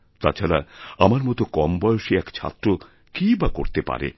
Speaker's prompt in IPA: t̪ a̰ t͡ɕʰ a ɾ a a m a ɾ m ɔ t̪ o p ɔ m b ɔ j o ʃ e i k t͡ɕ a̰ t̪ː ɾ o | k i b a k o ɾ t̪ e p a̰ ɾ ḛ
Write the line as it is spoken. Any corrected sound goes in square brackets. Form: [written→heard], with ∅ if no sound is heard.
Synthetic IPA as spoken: t̪ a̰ t͡ɕʰ a ɾ a a m a ɾ m ɔ t̪ o [p→k] ɔ m b ɔ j o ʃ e [i→ɛ] k [t͡ɕ→t͡ɕʰ] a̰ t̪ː ɾ o | k i b a k o ɾ t̪ e p a̰ ɾ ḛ